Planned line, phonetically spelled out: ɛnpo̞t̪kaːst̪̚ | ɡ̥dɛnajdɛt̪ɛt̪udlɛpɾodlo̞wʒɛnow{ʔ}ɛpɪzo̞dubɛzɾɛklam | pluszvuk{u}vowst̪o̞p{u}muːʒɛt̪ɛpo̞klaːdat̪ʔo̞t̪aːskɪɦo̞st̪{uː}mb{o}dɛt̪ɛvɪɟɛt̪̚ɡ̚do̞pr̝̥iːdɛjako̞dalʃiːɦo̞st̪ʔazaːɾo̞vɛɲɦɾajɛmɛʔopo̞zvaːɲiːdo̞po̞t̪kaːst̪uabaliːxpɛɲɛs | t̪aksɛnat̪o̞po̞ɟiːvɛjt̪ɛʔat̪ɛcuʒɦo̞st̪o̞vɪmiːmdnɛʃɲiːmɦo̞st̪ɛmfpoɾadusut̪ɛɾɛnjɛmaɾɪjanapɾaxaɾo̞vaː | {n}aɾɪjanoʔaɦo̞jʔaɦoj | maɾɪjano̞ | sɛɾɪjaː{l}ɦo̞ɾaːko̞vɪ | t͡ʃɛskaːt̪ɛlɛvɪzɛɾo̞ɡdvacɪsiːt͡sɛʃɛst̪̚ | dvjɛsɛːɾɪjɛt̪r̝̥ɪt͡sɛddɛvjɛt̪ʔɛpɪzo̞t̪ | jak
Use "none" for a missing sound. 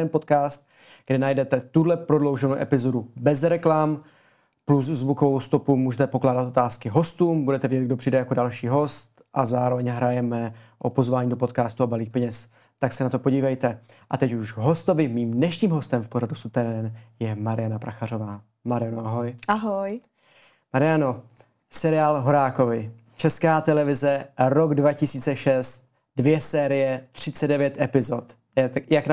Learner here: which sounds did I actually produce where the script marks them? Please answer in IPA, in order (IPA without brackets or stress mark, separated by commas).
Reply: ʔ, o, u, uː, u, m, l